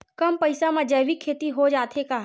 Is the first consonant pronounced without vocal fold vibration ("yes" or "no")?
yes